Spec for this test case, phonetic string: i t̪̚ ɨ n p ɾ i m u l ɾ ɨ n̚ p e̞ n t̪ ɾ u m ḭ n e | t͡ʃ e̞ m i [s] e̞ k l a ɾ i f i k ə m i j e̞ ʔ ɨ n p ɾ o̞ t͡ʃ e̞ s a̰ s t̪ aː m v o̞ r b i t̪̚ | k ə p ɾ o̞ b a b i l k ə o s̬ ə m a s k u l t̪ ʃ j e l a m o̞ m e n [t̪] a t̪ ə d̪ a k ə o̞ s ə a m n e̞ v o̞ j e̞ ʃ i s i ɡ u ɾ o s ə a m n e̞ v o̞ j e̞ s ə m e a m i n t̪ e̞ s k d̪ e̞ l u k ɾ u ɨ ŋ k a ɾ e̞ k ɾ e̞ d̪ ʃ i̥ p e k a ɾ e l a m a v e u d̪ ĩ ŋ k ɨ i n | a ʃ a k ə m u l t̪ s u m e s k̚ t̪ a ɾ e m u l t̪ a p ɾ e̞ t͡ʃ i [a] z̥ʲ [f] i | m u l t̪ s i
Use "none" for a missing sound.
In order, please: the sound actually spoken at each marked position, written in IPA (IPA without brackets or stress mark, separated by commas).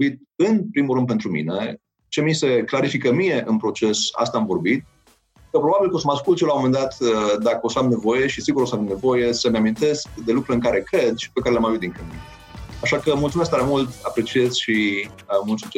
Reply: s, d̪, e, ʃ